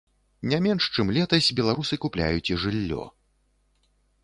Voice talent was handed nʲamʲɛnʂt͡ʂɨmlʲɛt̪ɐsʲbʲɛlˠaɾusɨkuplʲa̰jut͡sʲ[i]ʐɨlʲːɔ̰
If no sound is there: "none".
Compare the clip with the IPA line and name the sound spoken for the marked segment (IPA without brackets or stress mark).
i